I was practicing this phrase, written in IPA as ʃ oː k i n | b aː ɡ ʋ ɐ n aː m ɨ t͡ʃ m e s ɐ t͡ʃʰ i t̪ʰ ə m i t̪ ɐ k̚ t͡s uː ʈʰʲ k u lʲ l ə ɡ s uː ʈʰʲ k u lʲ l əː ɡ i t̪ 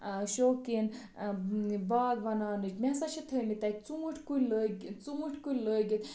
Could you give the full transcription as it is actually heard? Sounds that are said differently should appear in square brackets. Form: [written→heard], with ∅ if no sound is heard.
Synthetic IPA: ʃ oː k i n | b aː ɡ ʋ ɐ n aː [m→n] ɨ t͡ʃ m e s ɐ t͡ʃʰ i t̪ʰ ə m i t̪ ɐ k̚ t͡s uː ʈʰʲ k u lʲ l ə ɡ [s→t͡s] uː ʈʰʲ k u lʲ l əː ɡ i t̪